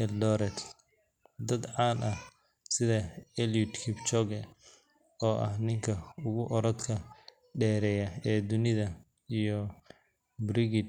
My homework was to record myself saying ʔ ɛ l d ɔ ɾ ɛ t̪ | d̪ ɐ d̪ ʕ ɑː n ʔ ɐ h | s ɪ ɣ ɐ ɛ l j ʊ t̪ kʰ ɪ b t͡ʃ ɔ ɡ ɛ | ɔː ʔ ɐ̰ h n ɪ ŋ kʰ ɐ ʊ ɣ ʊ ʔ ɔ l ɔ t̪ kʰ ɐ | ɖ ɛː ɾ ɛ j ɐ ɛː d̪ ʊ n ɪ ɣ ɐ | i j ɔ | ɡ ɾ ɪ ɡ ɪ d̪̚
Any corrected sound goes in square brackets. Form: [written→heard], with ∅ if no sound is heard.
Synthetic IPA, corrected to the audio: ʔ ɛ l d ɔ ɾ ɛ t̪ | d̪ ɐ d̪ ʕ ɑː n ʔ ɐ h | s ɪ [ɣ→ð] ɐ ɛ l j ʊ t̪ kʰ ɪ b t͡ʃ ɔ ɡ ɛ | ɔː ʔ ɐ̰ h n ɪ ŋ kʰ ɐ ʊ ɣ ʊ ʔ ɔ [l→ɾ] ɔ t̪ kʰ ɐ | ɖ ɛː ɾ ɛ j ɐ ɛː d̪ ʊ n ɪ [ɣ→ð] ɐ | i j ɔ | [ɡ→b] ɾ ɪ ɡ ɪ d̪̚